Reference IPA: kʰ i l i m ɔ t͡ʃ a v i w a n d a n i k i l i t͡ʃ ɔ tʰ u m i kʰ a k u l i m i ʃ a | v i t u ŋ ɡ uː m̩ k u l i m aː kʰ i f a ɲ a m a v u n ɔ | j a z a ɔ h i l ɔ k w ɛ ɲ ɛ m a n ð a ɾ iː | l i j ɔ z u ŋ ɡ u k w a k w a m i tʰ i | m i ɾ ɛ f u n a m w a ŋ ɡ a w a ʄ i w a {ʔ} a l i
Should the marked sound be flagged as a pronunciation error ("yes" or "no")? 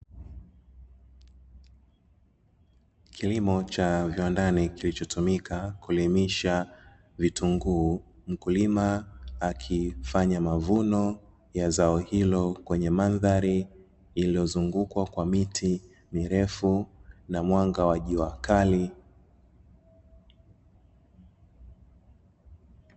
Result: yes